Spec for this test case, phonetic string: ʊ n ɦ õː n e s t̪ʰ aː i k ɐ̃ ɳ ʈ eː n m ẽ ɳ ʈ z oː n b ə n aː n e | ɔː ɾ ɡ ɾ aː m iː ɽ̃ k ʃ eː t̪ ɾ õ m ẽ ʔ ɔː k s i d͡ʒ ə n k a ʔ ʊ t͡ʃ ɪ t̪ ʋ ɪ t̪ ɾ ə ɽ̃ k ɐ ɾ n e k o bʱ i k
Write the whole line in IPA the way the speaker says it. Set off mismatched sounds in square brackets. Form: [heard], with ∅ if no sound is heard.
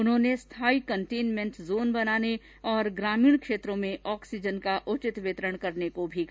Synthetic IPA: ʊ n ɦ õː n e s t̪ʰ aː i k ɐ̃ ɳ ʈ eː n m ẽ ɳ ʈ z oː n b [ɐ] n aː n e | ɔː ɾ ɡ ɾ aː m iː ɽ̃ k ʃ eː t̪ ɾ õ m ẽ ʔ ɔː k s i d͡ʒ ə n k a ʔ ʊ t͡ʃ ɪ t̪ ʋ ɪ t̪ ɾ ə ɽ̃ k ɐ ɾ n e k o bʱ i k